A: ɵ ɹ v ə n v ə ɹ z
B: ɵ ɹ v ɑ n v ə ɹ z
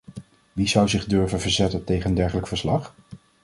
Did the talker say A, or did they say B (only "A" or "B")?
A